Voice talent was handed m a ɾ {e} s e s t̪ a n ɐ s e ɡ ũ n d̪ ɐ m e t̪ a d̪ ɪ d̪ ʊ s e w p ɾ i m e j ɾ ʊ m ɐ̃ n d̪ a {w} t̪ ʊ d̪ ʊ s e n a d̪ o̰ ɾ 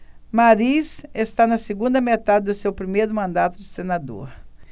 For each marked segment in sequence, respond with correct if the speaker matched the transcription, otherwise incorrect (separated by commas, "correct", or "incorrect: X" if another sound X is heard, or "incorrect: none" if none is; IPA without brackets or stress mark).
incorrect: i, incorrect: none